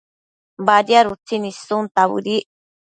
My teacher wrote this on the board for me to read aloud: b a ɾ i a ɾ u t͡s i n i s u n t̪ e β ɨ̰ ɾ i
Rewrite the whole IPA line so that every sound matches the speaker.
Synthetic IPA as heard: b a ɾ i a ɾ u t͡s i n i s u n t̪ a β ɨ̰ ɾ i

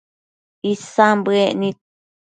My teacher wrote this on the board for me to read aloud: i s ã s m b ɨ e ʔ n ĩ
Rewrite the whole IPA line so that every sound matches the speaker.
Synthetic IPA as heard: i s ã m b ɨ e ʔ n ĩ

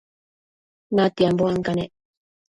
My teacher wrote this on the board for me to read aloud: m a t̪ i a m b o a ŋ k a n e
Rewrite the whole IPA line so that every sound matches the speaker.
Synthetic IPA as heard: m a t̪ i a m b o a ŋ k a n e

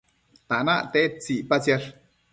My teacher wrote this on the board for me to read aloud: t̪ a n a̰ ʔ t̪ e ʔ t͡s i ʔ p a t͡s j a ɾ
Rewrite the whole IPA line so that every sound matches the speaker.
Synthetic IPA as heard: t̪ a n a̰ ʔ t̪ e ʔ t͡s i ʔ p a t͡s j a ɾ

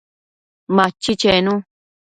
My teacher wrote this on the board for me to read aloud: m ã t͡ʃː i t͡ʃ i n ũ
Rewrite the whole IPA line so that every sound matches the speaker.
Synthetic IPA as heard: m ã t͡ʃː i t͡ʃ e n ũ

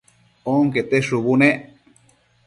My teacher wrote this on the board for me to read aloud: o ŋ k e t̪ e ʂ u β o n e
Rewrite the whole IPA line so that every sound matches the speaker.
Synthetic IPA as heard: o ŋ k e t̪ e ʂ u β u n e

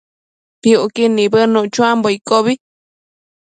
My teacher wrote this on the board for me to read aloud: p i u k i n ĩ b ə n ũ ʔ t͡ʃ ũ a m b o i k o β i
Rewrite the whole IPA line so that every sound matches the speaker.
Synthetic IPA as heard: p i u k i n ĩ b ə n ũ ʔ t͡ʃ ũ a m b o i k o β i

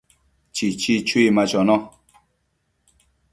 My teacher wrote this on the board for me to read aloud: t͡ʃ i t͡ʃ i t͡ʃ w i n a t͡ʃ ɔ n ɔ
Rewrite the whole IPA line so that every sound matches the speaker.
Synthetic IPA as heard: t͡ʃ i t͡ʃ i t͡ʃ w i m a t͡ʃ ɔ n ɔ

